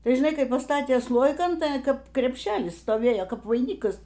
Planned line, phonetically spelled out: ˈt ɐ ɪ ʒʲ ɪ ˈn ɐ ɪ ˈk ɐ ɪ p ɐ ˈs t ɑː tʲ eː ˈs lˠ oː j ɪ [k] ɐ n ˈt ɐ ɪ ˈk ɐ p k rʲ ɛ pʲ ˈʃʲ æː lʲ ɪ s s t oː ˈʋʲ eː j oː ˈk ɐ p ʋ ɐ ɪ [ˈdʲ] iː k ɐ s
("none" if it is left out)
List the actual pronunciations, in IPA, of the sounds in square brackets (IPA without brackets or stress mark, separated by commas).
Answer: k, nʲ